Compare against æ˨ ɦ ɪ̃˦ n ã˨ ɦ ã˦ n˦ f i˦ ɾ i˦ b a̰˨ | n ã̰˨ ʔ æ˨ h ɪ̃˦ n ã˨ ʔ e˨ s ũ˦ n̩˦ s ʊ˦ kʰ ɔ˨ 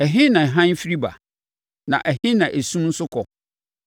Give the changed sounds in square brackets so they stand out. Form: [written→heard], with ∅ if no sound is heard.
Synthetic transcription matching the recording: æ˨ ɦ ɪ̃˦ n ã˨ ɦ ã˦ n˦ f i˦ ɾ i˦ b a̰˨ | n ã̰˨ ʔ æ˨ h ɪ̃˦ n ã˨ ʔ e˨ s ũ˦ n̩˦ s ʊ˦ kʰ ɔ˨